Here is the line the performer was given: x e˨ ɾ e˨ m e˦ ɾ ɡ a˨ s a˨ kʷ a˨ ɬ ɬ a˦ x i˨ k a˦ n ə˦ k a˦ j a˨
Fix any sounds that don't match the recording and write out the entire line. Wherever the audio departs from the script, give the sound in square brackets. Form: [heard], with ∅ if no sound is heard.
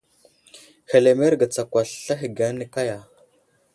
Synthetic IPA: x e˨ [l] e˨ m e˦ ɾ ɡ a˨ [t͡s] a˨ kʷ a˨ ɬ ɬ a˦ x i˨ [ɡ] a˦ n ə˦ k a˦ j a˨